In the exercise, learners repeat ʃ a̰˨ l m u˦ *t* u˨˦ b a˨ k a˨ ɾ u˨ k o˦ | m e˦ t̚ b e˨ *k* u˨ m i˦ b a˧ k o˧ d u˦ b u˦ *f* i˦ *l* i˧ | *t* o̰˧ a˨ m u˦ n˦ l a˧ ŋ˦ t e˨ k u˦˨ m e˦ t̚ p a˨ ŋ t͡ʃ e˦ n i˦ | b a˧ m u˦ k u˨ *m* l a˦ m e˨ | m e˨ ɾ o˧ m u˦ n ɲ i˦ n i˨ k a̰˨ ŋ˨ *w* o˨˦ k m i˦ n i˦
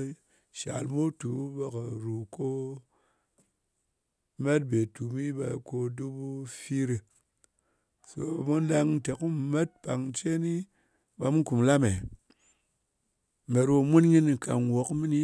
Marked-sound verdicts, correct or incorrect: correct, incorrect, correct, incorrect, incorrect, correct, correct

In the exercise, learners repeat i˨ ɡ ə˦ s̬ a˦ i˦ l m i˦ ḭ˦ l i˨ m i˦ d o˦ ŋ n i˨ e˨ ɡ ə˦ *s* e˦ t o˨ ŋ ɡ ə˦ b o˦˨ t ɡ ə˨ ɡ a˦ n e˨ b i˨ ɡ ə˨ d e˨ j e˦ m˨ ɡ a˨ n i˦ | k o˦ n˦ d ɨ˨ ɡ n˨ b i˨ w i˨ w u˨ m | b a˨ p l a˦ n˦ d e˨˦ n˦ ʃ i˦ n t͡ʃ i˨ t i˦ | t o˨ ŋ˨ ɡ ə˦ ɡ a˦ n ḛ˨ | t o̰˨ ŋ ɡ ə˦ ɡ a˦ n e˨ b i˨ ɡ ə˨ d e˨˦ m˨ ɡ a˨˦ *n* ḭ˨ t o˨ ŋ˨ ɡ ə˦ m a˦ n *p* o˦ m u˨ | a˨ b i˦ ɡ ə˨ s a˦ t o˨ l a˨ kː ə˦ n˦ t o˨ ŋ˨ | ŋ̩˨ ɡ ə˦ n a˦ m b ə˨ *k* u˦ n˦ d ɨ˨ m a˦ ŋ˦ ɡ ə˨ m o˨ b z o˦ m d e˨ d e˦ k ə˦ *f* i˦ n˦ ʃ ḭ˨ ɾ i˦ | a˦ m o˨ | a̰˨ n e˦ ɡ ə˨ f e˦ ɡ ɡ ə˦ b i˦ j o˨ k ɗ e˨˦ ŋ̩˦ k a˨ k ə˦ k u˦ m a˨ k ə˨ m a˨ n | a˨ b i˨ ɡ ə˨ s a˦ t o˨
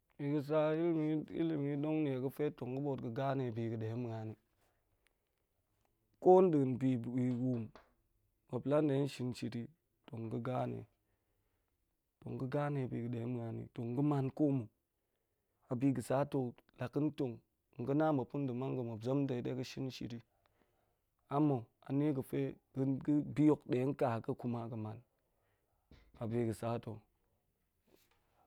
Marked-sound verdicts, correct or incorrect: incorrect, correct, incorrect, incorrect, incorrect

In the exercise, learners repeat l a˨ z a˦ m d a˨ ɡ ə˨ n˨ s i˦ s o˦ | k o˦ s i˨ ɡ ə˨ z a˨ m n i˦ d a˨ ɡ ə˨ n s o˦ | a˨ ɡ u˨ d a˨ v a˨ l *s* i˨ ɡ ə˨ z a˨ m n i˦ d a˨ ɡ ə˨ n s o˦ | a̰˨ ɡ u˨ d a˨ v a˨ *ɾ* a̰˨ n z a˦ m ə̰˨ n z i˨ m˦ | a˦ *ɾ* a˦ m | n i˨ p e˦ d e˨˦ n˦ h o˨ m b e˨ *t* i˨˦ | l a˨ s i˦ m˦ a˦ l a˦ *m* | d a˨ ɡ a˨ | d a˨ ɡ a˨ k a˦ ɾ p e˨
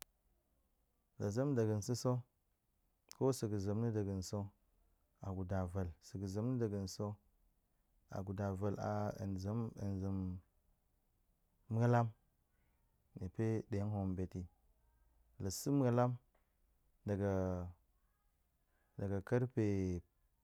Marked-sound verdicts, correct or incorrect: correct, incorrect, incorrect, correct, correct

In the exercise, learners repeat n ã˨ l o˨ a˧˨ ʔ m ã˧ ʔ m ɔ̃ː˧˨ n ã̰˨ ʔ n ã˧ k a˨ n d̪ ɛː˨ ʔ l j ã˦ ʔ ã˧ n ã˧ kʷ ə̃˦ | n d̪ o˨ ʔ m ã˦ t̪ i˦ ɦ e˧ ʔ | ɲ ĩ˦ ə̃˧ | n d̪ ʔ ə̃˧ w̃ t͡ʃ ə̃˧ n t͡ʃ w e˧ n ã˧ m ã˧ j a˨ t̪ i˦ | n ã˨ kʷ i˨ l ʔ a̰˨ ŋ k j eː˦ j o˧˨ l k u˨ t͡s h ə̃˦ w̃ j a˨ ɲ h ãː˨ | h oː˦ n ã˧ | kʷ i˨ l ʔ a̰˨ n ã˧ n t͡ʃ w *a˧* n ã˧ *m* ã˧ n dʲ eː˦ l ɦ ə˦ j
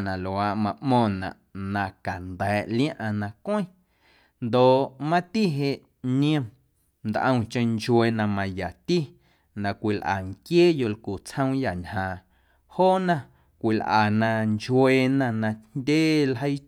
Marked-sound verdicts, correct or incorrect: incorrect, incorrect

